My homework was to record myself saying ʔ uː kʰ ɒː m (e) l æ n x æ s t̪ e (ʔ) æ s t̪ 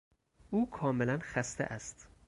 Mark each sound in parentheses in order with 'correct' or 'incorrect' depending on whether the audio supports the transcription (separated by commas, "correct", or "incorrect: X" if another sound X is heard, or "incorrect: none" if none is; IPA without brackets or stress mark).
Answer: correct, correct